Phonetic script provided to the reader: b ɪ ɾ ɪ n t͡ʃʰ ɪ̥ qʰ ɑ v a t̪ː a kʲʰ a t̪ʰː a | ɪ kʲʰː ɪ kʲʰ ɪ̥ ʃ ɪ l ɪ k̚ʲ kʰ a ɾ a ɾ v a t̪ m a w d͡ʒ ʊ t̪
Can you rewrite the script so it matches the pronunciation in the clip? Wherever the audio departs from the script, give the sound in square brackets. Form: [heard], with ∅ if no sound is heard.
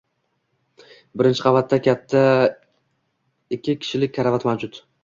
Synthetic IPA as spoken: b ɪ ɾ ɪ n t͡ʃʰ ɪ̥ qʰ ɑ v a t̪ː a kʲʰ a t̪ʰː a | ɪ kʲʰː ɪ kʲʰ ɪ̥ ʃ ɪ l ɪ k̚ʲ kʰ a ɾ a [∅] v a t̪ m a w d͡ʒ ʊ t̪